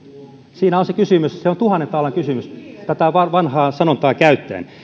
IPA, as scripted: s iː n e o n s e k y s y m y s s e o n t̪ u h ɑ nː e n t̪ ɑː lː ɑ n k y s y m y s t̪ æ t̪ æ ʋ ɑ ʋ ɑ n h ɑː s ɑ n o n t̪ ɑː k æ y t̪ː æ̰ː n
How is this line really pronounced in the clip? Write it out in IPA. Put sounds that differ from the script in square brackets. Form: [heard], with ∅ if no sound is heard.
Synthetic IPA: s iː n [æ] o n s e k y s y m y s s e o n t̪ u h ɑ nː e n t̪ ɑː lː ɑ [ŋ] k y s y m y s t̪ æ t̪ æ ʋ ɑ ʋ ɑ n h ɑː s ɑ n o n t̪ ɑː k æ y t̪ː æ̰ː n